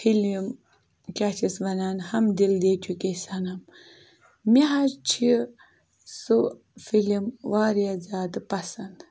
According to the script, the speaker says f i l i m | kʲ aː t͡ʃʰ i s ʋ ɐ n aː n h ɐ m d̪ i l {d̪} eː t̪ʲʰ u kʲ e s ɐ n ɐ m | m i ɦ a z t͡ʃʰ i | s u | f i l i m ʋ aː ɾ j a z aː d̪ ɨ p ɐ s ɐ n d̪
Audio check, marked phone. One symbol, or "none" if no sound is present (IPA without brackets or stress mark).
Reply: d̪